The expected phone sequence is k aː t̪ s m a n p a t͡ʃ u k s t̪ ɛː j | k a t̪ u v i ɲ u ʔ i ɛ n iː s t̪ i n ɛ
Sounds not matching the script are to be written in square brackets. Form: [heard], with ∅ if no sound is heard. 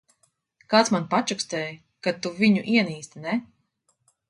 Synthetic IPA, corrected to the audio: k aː t̪ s m a n p a t͡ʃ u k s t̪ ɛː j | k a t̪ u v i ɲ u ʔ i ɛ n iː s t̪ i n ɛ